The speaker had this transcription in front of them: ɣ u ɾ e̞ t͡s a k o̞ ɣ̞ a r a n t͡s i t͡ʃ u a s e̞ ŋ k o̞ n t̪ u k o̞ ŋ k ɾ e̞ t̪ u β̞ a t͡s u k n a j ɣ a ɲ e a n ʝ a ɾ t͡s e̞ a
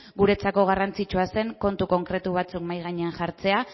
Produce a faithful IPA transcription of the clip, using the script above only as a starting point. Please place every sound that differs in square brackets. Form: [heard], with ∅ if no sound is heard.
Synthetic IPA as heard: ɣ u ɾ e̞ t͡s a k o̞ ɣ̞ a r a n t͡s i t͡ʃ u a s e̞ ŋ k o̞ n t̪ u k o̞ ŋ k ɾ e̞ t̪ u β̞ a t͡s u k [m] a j ɣ a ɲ e a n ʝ a ɾ t͡s e̞ a